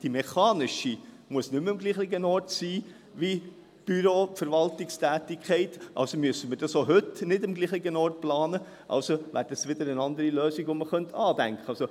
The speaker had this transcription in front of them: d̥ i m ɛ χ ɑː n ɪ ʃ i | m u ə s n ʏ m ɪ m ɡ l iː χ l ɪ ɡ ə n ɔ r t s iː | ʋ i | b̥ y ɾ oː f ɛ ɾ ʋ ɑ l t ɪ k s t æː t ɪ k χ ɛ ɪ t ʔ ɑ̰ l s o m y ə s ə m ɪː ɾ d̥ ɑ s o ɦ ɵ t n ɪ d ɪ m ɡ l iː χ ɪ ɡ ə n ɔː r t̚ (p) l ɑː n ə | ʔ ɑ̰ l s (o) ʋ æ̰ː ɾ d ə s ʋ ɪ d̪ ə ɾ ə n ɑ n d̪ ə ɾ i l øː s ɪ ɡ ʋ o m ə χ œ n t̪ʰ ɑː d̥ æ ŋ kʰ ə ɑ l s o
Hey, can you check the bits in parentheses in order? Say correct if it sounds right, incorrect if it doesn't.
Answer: correct, correct

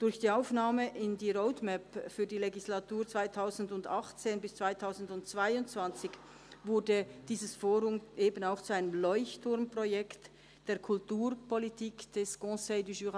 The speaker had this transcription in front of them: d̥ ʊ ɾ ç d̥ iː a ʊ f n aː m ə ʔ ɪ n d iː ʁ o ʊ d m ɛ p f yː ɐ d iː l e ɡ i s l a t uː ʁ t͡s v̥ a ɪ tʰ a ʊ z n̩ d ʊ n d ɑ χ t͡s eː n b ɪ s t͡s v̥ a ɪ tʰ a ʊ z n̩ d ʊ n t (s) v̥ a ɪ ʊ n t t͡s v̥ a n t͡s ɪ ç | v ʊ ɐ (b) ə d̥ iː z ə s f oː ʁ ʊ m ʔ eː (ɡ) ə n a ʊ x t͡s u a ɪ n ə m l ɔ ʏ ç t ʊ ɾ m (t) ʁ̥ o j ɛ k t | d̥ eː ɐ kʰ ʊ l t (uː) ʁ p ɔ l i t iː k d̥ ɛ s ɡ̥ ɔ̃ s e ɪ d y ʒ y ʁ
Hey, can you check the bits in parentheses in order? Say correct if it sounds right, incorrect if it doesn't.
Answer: incorrect: t͡s, incorrect: d, incorrect: b, incorrect: p, correct

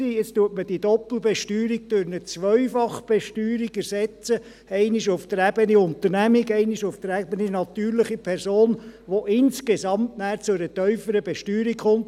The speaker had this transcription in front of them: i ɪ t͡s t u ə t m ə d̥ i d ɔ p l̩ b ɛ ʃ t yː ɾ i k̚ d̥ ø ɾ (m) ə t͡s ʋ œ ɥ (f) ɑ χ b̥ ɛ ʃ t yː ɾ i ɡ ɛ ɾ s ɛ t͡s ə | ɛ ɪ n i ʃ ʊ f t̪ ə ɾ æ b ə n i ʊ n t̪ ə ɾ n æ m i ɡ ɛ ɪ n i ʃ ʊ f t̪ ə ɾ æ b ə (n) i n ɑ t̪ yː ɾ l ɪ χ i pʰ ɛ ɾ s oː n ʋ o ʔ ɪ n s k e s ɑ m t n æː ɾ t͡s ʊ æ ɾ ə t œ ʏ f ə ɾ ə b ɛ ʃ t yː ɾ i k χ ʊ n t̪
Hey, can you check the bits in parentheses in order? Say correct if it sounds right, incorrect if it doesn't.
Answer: incorrect: n, correct, correct

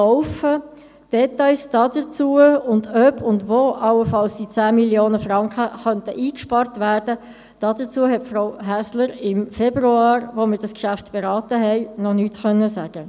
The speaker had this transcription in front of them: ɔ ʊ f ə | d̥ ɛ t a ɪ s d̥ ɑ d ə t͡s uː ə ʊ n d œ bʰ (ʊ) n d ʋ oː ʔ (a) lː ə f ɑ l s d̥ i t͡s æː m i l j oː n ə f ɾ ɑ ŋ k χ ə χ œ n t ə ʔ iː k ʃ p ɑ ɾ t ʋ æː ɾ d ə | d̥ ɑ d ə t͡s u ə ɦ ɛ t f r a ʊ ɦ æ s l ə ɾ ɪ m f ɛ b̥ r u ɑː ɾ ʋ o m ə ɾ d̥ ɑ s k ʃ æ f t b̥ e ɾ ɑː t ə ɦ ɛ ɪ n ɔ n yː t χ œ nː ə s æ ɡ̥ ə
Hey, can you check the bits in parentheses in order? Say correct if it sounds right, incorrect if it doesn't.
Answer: correct, incorrect: ɑ

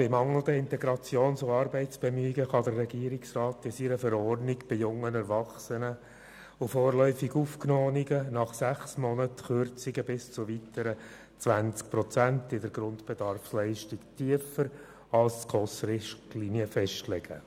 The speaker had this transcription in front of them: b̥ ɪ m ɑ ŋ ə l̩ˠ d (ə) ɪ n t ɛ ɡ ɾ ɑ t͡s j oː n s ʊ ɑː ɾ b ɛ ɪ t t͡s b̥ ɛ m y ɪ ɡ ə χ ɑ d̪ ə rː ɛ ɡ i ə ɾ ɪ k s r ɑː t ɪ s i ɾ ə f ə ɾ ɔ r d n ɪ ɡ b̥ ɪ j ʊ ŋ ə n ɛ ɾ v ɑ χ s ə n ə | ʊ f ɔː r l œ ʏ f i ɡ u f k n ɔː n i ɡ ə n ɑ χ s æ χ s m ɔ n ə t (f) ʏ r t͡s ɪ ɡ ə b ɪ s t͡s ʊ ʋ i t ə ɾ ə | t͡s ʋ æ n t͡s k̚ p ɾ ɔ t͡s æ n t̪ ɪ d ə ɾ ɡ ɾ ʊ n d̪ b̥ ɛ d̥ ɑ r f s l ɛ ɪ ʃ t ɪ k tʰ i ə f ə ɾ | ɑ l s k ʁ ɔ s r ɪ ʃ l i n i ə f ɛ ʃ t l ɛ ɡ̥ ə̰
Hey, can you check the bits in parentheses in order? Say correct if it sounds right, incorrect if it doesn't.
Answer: correct, incorrect: χ

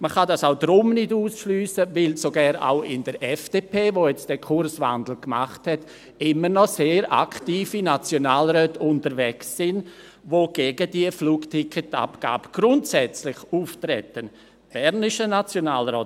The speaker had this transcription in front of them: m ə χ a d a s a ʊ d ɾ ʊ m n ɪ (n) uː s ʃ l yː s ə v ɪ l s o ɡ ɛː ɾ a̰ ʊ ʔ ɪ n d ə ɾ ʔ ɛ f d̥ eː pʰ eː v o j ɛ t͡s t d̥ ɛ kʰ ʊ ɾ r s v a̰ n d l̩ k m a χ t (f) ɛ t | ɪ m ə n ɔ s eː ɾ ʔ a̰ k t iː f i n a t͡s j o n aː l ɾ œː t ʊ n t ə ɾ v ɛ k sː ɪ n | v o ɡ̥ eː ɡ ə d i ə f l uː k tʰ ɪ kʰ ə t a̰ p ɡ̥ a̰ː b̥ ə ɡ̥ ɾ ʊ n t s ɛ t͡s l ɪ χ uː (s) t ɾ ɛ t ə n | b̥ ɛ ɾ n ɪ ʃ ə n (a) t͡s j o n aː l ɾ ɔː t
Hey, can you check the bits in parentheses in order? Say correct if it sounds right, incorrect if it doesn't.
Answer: incorrect: d, incorrect: h, incorrect: f, correct

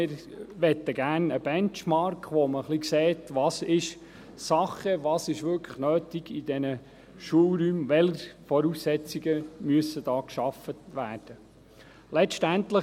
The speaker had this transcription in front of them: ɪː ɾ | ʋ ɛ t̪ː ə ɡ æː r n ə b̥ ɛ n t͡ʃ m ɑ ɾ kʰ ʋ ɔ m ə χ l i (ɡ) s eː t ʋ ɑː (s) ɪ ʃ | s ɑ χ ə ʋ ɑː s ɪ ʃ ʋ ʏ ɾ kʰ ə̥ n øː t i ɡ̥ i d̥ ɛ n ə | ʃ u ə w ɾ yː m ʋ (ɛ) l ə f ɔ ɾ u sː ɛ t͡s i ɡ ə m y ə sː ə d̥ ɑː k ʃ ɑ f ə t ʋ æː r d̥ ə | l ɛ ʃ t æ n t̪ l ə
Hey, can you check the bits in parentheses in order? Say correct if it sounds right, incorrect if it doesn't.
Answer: incorrect: k, correct, correct

